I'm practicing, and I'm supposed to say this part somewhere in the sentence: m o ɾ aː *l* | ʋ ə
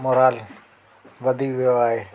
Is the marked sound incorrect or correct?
correct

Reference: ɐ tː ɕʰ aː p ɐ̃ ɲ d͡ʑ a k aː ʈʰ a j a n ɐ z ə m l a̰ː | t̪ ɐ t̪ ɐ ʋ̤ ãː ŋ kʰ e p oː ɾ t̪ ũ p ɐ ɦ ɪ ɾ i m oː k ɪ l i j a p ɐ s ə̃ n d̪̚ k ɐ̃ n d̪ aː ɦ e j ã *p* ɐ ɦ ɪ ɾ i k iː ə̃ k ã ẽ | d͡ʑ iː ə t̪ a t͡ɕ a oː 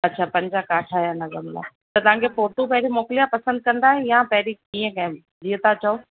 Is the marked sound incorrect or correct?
correct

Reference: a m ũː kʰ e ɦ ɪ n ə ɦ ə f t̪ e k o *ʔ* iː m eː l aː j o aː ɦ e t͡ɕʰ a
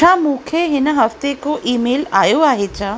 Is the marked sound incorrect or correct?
correct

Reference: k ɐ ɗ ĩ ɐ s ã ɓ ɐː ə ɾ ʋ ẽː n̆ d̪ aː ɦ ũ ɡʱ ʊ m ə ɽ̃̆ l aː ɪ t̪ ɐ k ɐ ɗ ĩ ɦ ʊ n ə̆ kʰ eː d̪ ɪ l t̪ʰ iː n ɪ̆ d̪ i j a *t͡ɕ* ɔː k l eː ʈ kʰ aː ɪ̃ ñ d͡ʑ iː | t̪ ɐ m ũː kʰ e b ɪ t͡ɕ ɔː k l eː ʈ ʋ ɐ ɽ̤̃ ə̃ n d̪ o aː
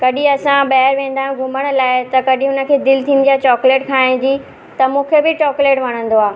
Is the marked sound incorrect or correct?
correct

